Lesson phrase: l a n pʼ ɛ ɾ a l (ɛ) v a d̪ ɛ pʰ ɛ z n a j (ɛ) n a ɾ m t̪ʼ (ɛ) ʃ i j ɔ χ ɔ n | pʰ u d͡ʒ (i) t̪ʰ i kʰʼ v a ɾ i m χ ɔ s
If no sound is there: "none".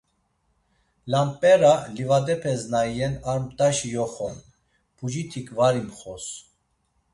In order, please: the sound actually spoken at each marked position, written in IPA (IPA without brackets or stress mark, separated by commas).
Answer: i, ɛ, a, i